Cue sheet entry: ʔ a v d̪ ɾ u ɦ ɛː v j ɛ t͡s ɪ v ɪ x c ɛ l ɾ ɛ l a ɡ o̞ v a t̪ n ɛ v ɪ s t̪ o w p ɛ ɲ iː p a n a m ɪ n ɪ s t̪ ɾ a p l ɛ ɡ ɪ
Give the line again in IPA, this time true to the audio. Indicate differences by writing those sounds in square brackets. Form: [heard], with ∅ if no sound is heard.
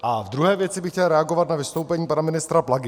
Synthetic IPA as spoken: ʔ a v d̪ ɾ u ɦ ɛː v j ɛ t͡s ɪ [b] ɪ x c ɛ l ɾ ɛ [∅] a ɡ o̞ v a t̪ n [a] v ɪ s t̪ o w p ɛ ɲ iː p a n a m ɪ n ɪ s t̪ ɾ a p l [a] ɡ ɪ